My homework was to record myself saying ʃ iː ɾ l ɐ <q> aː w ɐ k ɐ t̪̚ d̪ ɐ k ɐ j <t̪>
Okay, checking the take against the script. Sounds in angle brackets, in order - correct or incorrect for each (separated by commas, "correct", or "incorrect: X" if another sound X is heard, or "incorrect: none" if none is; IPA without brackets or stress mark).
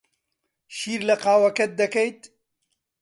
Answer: correct, correct